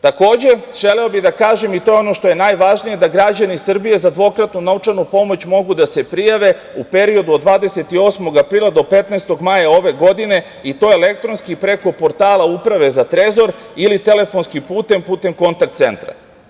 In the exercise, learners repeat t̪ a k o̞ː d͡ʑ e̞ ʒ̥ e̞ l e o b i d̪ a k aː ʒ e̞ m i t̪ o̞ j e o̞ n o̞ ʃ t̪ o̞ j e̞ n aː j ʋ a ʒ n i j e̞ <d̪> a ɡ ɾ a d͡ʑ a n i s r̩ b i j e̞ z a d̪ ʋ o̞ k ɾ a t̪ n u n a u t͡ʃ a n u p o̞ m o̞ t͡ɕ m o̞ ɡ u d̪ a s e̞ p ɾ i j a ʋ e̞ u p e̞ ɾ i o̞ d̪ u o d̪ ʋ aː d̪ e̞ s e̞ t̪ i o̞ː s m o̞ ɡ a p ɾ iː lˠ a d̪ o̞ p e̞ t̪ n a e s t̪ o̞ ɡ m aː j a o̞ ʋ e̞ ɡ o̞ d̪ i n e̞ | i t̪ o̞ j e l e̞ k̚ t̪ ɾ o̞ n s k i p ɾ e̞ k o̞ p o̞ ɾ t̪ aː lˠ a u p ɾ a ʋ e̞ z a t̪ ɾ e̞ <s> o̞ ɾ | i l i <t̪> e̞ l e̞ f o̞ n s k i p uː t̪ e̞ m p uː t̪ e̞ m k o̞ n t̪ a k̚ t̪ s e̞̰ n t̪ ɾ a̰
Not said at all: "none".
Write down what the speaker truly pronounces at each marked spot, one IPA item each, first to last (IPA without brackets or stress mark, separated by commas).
d̪, z, t̪